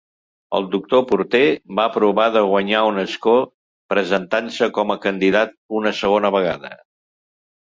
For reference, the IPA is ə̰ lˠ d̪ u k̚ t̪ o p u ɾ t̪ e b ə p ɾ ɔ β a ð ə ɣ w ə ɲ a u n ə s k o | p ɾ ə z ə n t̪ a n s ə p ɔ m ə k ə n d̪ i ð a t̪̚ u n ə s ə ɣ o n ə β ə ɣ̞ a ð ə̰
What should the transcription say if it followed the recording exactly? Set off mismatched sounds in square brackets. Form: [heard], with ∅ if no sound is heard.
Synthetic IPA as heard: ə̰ lˠ d̪ u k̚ t̪ o p u ɾ t̪ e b [a] p ɾ [u] β a ð ə ɣ w ə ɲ a u n ə s k o | p ɾ ə z ə n t̪ a n s ə [k] ɔ m ə k ə n d̪ i ð a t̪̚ u n ə s ə ɣ o n ə β ə ɣ̞ a ð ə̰